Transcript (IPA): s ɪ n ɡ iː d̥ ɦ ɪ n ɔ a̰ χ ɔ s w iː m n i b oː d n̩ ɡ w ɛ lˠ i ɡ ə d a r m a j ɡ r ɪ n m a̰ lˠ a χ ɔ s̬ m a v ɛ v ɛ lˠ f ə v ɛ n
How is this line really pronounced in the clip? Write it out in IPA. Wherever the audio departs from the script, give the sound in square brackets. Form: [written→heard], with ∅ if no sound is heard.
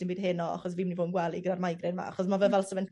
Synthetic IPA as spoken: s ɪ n [ɡ→b] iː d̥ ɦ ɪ n ɔ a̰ χ ɔ s [w→v] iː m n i [b→v] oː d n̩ ɡ w ɛ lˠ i ɡ ə d a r m a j ɡ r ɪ n m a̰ [lˠ→∅] a χ ɔ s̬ m a v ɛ v ɛ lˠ [f→s] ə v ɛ n